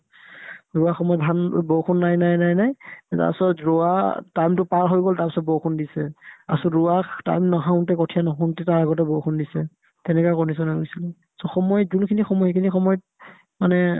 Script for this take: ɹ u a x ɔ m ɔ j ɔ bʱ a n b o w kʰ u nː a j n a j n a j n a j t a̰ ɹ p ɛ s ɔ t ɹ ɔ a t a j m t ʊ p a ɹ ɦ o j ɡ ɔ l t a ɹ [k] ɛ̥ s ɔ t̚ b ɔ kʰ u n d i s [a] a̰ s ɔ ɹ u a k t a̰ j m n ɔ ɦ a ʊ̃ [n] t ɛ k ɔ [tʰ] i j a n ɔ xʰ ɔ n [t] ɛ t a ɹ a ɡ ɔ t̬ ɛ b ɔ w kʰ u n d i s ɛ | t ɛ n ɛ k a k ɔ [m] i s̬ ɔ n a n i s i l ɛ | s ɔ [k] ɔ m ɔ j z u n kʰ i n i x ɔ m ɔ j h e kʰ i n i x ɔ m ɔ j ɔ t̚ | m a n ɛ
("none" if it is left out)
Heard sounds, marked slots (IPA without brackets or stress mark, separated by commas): p, ɛ, n, tʰ, t, n, x